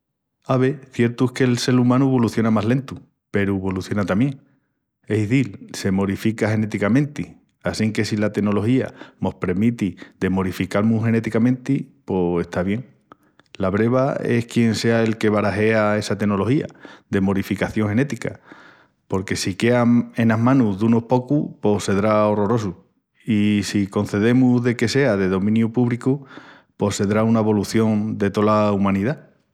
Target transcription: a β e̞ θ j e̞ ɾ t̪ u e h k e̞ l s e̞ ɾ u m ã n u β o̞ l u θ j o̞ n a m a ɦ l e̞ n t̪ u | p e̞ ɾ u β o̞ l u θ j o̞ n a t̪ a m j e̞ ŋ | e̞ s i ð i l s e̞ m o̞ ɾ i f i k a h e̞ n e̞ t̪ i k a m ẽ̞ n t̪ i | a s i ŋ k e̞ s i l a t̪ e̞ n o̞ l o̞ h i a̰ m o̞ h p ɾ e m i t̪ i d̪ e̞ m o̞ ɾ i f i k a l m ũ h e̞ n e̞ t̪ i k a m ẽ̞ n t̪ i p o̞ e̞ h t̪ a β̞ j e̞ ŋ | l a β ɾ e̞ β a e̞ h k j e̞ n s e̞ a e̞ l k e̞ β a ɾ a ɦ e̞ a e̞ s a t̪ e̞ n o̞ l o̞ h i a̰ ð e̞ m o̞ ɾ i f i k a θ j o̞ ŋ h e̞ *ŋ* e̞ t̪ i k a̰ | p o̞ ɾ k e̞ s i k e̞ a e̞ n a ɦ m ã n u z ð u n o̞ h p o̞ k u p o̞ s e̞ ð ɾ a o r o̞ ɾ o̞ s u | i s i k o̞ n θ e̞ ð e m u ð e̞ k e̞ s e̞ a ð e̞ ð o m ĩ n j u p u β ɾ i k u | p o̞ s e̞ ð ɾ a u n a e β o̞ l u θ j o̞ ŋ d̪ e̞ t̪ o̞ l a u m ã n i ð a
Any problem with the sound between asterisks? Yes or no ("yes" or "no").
yes